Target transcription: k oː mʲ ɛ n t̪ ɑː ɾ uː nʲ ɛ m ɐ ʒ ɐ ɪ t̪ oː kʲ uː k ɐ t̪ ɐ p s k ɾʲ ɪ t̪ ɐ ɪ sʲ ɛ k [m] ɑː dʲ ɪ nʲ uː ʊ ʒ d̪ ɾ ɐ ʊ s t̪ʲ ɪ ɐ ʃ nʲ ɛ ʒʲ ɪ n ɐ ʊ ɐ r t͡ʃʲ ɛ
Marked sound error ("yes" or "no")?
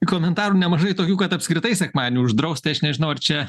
no